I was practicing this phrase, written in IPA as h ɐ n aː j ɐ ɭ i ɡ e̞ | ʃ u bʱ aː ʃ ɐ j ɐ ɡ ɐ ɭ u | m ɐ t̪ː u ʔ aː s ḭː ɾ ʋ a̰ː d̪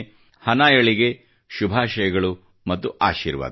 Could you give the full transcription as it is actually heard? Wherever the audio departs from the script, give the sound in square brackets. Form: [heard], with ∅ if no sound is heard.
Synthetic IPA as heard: h ɐ n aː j ɐ ɭ i ɡ e̞ | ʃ u bʱ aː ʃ ɐ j ɐ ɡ ɐ ɭ u | m ɐ t̪ː u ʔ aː [ʃ] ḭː ɾ ʋ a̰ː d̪